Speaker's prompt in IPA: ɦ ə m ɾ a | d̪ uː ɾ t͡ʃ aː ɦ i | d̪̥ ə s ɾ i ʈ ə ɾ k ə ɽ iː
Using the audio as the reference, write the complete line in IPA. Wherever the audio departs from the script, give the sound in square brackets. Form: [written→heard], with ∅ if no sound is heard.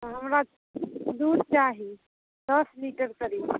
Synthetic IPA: ɦ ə m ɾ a | d̪ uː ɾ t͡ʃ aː ɦ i | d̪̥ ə s [ɾ→l] i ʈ ə ɾ k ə [ɽ→ɾ] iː